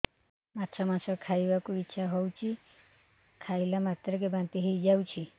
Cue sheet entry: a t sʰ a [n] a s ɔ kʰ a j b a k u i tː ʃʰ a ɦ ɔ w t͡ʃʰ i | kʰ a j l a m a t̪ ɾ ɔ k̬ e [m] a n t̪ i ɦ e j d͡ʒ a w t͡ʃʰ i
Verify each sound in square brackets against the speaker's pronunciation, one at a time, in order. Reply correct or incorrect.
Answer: incorrect: m, incorrect: b

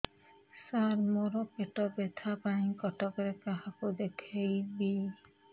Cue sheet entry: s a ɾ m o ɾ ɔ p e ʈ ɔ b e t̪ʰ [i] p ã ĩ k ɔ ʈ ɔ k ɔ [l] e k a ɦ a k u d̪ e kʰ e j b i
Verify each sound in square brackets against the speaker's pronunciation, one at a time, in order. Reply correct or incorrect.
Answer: incorrect: a, incorrect: ɾ

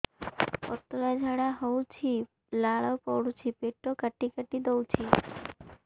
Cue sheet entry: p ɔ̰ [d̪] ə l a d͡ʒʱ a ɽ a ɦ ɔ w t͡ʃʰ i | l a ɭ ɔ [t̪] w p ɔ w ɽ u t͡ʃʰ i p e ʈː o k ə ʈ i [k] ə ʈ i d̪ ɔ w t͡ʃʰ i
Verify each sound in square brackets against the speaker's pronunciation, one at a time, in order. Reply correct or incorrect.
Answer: incorrect: t̪, incorrect: none, correct

